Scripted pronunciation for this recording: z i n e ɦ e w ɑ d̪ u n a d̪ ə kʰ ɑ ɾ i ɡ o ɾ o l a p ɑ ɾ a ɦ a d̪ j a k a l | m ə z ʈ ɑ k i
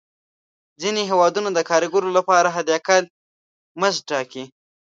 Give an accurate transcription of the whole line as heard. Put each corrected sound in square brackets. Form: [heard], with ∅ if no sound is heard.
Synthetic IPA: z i n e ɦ e w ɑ d̪ u n a d̪ ə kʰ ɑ ɾ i ɡ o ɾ o l a p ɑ ɾ a ɦ a d̪ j a k a l | m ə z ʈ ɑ k i

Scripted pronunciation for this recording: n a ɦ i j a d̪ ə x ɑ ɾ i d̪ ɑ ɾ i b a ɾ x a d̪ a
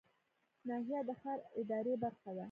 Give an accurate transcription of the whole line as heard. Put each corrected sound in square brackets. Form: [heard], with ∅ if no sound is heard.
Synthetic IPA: n [ɑ] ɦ i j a d̪ ə x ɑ ɾ [ɪ] d̪ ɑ ɾ [e] b a ɾ x a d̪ a

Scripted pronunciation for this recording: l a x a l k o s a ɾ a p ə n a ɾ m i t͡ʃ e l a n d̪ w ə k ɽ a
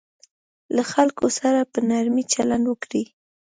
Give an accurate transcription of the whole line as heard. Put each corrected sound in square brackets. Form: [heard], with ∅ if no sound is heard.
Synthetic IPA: l a x a l k o s a ɾ a p ə n a ɾ m i t͡ʃ [a] l a n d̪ w ə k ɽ [i]

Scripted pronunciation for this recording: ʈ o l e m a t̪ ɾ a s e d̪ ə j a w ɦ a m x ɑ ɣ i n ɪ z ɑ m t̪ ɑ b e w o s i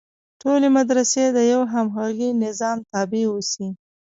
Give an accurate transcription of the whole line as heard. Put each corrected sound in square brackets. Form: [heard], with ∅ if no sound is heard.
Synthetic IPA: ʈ o l e m a [d̪] ɾ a s e d̪ ə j a w ɦ a m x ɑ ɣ i n ɪ z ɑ m t̪ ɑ b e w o s i

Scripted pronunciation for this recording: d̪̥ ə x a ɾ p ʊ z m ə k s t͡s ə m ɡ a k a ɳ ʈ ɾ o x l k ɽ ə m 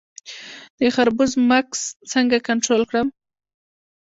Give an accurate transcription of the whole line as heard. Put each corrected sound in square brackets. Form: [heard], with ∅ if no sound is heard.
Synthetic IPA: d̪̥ ə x a ɾ [b] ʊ z m [a] k s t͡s ə [ŋ] ɡ a k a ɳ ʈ ɾ o [∅] l k ɽ ə m

